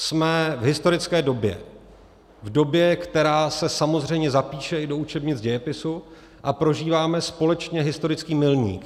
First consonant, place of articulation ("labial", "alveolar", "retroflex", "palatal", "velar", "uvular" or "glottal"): alveolar